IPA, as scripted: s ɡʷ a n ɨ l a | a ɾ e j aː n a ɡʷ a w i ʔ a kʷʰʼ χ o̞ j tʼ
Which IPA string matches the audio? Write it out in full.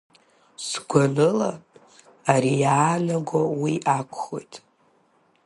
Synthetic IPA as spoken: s ɡʷ a n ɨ l a | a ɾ i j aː n a ɡʷ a w i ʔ a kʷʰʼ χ o̞ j tʼ